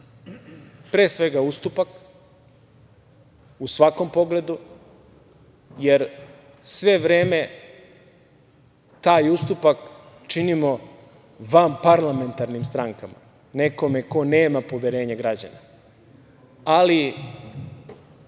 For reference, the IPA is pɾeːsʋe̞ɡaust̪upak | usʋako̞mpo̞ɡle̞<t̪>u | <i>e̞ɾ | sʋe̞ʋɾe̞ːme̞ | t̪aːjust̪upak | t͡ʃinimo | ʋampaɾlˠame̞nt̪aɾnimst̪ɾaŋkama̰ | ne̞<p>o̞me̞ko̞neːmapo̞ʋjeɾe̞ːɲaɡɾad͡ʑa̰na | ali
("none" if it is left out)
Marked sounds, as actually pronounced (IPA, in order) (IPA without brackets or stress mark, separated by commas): d̪, j, k